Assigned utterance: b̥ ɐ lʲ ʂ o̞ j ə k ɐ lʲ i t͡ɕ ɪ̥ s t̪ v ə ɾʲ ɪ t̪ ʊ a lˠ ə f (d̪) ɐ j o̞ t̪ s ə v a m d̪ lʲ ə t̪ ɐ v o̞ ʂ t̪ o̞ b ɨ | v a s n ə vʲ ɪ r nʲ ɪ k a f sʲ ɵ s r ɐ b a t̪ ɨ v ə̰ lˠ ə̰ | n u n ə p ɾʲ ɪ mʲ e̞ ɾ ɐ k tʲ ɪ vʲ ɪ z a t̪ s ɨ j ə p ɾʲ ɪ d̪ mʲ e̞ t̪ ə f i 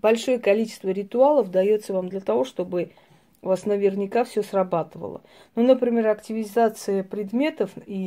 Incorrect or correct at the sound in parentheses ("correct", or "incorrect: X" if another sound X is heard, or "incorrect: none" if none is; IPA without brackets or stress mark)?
correct